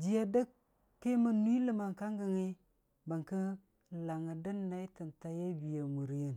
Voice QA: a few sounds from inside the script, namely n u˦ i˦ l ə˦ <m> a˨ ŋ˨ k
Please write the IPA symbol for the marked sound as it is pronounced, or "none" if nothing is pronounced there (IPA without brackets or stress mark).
m